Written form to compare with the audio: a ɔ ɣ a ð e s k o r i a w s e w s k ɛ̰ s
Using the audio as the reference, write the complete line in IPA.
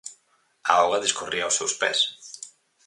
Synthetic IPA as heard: a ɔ ɣ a ð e s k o r i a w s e w s p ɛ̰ s